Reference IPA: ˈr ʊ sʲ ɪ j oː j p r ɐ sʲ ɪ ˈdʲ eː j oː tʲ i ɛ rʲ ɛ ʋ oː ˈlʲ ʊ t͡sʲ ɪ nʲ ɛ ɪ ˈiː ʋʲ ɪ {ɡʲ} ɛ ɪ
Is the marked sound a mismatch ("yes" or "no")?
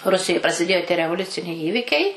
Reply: yes